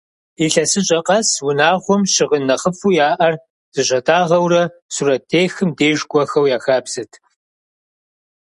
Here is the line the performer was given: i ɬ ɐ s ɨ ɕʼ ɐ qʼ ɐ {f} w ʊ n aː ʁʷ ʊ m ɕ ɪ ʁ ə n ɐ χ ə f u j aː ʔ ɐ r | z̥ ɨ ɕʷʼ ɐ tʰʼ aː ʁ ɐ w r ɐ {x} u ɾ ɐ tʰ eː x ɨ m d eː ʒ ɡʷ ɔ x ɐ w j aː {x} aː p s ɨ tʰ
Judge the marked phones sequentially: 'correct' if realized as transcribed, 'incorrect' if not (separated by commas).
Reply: incorrect, incorrect, correct